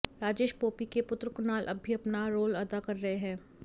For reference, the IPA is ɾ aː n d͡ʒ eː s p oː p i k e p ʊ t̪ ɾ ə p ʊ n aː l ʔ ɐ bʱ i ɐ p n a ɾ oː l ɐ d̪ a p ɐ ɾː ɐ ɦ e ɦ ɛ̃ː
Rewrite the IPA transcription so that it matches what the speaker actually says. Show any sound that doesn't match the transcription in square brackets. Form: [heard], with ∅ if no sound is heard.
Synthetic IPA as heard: ɾ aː [∅] d͡ʒ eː [ʃ] p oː p i k e p ʊ t̪ ɾ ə [k] ʊ n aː l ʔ ɐ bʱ i ɐ p n a ɾ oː l ɐ d̪ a [k] ɐ ɾː ɐ ɦ e ɦ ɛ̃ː